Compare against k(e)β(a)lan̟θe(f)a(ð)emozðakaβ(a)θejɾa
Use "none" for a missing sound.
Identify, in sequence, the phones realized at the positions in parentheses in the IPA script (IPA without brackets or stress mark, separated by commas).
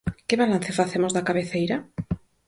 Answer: e, a, f, θ, e